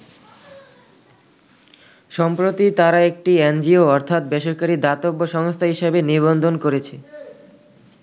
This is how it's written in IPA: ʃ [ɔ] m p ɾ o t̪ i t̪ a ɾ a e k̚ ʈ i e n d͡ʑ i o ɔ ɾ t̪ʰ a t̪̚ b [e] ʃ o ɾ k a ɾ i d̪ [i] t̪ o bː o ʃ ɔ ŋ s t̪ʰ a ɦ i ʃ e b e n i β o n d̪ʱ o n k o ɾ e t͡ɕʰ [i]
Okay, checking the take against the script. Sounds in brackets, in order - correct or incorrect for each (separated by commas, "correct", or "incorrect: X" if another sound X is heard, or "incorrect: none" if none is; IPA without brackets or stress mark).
correct, correct, incorrect: a, incorrect: e